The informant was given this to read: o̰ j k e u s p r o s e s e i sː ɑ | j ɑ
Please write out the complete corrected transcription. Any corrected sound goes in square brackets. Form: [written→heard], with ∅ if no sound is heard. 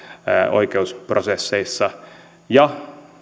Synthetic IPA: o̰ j k e u s p r o s e [s→sː] e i sː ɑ | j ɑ